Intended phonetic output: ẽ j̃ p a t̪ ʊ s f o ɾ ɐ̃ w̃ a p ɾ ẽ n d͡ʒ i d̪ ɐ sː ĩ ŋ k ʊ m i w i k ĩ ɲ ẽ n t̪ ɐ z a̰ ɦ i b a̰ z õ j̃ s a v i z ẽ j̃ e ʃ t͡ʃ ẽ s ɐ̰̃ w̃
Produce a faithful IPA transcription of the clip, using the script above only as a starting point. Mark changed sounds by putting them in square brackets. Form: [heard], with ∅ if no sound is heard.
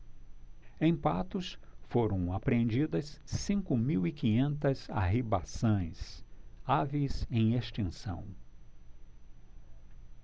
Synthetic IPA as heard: ẽ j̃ p a t̪ ʊ s f o ɾ ɐ̃ w̃ a p ɾ ẽ n d͡ʒ i d̪ ɐ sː ĩ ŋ k ʊ m i w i k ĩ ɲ ẽ n t̪ ɐ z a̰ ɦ i b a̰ [s] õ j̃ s a v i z ẽ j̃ e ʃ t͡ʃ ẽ s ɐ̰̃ w̃